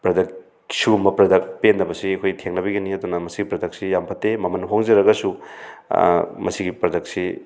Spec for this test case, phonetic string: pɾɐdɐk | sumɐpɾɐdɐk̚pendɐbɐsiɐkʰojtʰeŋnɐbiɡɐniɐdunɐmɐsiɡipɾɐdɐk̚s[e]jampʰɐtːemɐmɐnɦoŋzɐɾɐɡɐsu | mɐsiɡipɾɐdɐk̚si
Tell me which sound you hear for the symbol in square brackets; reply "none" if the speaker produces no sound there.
i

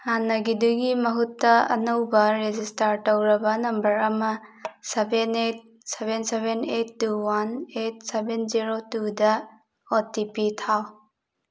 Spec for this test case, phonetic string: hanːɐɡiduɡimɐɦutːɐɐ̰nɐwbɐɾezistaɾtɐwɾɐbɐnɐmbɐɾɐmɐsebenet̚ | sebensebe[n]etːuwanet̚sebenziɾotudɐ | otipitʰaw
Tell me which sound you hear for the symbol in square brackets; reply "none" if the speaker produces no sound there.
n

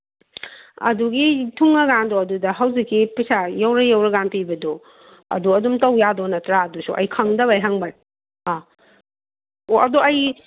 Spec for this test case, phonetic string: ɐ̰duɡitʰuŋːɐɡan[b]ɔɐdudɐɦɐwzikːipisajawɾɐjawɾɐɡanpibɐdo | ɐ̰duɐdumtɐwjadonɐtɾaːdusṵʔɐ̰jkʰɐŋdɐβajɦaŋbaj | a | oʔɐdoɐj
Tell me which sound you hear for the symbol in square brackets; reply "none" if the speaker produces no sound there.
d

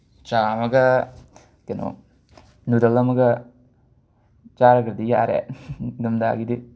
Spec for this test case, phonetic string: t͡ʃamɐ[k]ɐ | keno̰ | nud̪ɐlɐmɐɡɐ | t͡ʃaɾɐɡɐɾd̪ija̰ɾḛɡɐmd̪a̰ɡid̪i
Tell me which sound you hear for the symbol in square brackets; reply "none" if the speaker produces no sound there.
ɡ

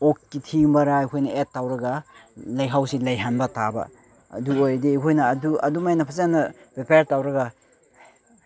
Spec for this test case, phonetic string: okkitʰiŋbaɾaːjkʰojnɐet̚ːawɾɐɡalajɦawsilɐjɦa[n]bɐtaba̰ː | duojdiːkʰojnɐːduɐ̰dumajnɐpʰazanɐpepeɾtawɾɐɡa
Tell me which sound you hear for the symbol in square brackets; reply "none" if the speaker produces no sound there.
n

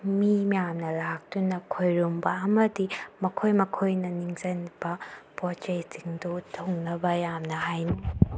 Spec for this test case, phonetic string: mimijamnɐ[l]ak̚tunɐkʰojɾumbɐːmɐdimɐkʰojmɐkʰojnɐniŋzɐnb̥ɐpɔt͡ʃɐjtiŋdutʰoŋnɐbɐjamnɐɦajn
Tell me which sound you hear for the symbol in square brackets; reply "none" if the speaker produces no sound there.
l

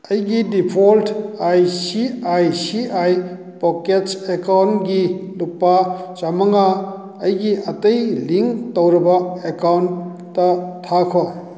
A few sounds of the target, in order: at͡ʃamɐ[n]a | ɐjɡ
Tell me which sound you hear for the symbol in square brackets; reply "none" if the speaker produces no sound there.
ŋ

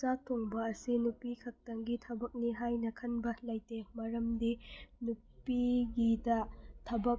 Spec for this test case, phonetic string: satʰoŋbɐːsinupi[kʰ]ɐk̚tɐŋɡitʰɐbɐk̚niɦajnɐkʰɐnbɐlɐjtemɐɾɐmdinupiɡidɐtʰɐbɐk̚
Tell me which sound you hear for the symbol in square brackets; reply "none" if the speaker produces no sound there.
kʰ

